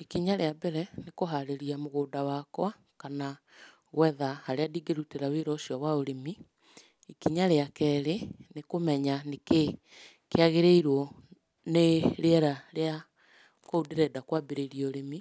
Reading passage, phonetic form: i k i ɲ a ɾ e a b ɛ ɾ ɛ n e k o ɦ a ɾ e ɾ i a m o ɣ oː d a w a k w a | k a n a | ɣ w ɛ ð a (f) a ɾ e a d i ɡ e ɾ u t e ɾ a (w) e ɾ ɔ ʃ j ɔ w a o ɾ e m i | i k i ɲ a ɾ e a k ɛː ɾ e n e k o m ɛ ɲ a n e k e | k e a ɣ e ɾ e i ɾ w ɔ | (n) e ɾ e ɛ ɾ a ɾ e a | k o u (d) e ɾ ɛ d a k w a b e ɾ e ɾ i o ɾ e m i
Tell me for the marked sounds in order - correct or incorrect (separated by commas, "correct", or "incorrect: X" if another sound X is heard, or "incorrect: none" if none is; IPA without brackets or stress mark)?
incorrect: h, correct, correct, correct